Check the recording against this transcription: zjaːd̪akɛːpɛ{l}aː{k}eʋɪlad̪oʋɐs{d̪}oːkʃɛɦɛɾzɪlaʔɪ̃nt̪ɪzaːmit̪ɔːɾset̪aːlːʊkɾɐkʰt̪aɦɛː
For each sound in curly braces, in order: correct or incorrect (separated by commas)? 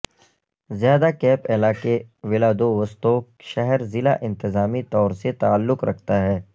correct, correct, incorrect